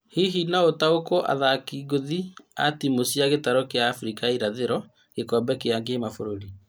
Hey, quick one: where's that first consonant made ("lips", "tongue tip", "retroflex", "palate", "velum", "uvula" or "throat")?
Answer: throat